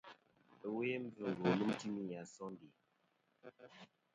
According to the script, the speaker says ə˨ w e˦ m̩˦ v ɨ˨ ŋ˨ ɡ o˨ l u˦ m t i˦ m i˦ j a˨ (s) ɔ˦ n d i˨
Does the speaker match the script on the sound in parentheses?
yes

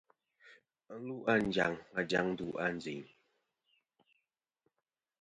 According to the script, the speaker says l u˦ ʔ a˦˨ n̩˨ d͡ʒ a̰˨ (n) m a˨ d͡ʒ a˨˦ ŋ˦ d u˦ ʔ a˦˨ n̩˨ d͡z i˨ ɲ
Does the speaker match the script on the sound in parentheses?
no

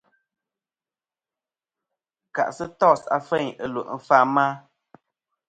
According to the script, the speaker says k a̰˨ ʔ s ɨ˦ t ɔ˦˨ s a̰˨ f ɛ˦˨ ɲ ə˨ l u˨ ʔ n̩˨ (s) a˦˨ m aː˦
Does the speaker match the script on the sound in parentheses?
no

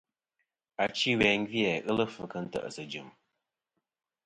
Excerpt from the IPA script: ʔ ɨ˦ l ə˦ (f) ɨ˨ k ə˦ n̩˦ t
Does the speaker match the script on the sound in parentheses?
yes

